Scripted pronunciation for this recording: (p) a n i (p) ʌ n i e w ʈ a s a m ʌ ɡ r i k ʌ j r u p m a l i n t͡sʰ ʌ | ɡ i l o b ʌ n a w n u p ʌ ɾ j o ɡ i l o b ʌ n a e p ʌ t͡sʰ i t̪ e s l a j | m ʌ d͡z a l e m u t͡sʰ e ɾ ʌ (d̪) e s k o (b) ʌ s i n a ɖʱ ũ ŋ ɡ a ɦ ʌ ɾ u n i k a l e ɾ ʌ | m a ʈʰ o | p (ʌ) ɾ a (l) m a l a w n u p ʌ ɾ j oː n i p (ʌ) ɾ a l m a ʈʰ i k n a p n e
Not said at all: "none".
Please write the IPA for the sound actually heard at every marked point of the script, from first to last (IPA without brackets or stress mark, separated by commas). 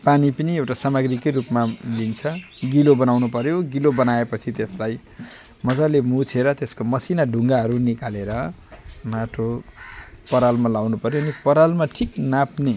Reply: p, p, t̪, m, ʌ, l, ʌ